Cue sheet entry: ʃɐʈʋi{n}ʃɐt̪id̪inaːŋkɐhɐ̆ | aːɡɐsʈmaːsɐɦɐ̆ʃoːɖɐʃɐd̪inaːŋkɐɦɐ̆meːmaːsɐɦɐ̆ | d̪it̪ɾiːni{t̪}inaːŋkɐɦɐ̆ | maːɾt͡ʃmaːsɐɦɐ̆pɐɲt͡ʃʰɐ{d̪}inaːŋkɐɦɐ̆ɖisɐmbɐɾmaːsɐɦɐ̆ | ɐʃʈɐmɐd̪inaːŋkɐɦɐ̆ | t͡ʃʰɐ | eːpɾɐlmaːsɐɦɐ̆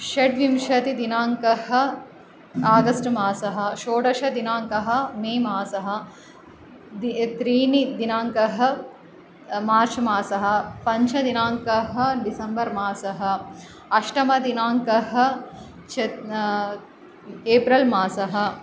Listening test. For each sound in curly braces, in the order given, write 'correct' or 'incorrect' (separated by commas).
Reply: incorrect, incorrect, correct